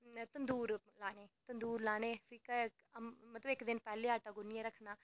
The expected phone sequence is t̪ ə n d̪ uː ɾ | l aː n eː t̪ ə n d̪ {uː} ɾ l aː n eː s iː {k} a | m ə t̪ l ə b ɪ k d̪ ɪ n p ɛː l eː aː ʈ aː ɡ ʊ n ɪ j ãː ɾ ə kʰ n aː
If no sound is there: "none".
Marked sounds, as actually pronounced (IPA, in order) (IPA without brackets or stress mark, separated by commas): uː, k